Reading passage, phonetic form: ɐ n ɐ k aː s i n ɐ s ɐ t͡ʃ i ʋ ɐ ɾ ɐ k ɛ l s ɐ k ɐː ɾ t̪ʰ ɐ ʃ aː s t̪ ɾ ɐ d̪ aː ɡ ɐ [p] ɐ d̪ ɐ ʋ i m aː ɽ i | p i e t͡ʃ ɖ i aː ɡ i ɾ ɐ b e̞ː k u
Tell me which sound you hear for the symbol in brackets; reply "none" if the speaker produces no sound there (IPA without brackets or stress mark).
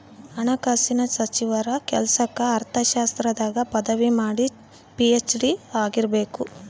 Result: p